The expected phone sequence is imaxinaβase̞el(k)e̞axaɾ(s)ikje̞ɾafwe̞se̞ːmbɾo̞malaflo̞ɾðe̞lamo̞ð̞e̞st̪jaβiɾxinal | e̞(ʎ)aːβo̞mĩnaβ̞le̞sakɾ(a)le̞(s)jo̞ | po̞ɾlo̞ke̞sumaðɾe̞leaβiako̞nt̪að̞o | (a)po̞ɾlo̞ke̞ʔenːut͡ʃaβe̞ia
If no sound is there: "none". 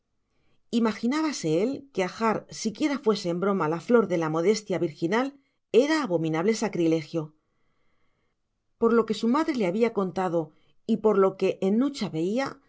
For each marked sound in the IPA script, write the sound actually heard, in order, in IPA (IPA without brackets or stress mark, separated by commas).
k, s, ɾ, i, x, i